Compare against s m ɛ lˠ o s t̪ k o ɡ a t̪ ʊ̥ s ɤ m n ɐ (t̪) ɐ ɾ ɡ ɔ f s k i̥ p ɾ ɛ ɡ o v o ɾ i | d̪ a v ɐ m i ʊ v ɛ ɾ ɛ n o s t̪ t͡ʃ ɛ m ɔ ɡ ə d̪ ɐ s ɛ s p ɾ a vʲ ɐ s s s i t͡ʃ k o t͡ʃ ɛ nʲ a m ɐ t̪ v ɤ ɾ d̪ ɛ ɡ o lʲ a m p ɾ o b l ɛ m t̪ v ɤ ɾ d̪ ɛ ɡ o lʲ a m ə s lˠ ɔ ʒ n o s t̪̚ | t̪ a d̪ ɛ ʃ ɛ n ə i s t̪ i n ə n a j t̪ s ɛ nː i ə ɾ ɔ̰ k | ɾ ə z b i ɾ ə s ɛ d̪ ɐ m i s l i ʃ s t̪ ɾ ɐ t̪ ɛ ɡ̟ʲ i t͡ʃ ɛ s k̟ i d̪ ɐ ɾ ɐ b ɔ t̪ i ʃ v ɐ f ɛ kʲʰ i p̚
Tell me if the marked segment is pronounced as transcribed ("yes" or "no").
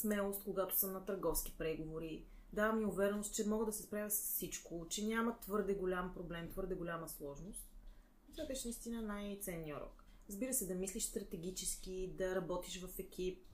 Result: yes